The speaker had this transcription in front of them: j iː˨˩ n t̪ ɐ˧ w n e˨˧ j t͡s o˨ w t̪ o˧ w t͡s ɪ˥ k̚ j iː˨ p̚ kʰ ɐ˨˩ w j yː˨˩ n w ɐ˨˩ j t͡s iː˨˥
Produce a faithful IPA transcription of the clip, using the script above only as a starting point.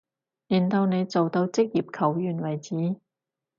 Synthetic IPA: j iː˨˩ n t̪ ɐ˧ w n e˨˧ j t͡s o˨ w t̪ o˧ w t͡s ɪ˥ k̚ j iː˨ p̚ kʰ ɐ˨˩ w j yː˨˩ n w ɐ˨˩ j t͡s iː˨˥